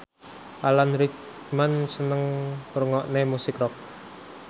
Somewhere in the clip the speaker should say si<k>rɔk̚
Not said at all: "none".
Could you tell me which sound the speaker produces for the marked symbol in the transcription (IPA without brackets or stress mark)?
k